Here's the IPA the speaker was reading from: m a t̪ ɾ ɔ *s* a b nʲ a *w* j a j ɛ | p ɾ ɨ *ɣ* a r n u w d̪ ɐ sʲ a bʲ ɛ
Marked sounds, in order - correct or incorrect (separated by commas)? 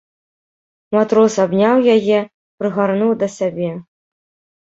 correct, correct, correct